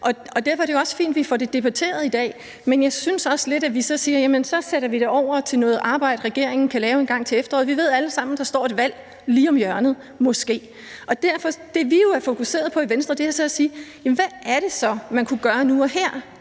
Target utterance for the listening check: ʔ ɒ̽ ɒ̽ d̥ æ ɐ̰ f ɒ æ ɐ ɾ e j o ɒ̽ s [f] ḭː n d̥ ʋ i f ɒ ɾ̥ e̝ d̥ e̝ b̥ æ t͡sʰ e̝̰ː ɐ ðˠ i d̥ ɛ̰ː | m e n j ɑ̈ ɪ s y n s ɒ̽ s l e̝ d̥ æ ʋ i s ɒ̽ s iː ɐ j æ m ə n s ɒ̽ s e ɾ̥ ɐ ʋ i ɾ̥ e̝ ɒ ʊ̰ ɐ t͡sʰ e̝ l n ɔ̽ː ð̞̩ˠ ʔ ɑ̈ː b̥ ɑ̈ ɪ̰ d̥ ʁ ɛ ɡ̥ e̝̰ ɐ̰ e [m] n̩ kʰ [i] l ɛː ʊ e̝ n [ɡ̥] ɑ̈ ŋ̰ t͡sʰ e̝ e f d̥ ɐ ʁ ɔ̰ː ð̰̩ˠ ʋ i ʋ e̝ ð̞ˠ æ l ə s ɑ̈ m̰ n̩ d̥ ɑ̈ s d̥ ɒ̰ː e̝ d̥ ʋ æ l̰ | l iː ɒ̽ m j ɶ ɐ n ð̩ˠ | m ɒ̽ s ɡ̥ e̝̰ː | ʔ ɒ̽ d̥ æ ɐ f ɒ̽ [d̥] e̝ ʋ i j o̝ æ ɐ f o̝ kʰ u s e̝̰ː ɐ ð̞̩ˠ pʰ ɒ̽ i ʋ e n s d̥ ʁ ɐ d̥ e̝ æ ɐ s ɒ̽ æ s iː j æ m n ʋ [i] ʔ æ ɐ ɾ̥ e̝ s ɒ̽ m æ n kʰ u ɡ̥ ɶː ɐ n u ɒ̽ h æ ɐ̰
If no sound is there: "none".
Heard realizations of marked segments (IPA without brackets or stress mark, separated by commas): f, ŋ, æ, ɡ̥, d̥, æ